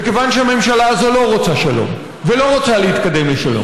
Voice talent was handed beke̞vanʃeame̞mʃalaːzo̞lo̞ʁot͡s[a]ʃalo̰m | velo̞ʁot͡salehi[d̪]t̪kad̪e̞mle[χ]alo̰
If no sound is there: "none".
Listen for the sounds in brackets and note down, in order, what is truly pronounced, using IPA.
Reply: a, none, ʃ

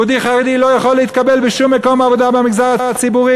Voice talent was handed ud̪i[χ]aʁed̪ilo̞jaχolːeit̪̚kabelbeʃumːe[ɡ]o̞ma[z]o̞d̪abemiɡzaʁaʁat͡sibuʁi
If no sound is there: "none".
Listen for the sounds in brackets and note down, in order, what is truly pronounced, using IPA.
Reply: χ, k, v

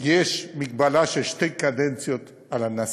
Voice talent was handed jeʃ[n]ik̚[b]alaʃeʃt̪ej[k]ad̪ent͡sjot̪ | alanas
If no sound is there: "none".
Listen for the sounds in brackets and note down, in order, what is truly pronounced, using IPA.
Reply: m, b, k

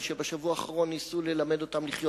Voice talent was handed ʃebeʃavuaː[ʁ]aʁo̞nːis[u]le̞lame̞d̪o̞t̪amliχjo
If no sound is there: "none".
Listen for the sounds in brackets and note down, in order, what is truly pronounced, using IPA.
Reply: χ, u

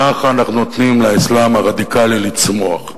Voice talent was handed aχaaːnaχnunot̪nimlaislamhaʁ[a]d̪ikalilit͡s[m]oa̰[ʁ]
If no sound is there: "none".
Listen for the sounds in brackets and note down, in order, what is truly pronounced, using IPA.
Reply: a, m, χ

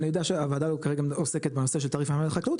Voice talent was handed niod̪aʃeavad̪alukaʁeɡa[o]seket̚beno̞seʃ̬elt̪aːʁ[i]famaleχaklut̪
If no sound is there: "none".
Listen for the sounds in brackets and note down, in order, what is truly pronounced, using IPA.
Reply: o, i

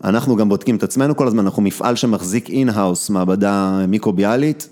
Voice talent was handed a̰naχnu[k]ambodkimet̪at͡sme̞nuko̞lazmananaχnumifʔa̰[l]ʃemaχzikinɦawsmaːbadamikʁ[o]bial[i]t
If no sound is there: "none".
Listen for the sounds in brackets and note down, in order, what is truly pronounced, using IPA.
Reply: ɡ, l, o, i

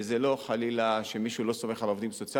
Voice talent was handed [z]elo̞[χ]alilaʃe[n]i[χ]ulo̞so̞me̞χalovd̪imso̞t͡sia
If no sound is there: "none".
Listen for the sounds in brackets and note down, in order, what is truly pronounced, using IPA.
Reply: z, χ, m, ʃ

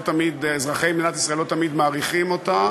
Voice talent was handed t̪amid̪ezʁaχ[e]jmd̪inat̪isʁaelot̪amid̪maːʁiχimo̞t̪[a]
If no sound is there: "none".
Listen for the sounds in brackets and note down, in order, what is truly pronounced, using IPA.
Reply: e, a

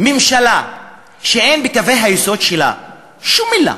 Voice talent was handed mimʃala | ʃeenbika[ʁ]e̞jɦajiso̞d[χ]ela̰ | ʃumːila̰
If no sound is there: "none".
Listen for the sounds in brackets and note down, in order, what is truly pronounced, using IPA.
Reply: v, ʃ

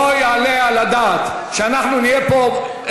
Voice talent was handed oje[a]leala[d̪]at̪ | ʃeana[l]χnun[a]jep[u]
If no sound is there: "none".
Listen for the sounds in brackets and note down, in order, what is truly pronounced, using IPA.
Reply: a, d̪, none, i, o

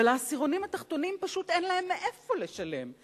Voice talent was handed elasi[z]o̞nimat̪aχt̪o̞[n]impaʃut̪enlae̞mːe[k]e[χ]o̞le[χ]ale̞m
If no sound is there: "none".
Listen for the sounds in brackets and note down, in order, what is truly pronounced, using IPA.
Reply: ʁ, n, ʔ, f, ʃ

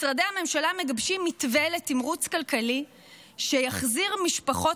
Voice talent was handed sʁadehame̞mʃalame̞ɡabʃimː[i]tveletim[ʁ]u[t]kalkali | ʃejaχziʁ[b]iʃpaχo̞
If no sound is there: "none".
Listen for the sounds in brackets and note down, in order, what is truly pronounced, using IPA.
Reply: i, ʁ, t͡s, m

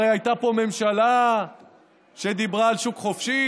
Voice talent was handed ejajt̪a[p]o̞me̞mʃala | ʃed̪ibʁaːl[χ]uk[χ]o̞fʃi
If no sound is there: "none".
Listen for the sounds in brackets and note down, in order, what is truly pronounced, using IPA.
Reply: p, ʃ, χ

